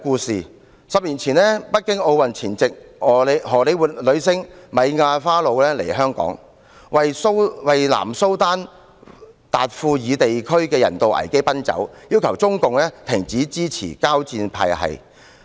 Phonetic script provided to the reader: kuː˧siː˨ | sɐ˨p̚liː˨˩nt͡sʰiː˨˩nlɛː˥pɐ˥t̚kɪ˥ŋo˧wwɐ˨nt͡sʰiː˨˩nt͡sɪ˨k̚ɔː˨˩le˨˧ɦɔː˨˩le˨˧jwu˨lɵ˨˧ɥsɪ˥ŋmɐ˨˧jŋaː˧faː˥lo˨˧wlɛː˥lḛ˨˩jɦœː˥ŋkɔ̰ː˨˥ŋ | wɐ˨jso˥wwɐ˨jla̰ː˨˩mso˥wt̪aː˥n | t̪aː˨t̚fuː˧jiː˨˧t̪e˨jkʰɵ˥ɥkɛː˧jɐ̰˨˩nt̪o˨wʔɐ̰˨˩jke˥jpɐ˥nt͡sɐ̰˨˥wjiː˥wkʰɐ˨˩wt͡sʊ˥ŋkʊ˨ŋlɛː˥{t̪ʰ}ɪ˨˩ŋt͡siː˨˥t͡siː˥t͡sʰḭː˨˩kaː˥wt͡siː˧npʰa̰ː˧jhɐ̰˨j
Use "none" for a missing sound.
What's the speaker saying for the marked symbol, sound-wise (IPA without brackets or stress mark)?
t̪ʰ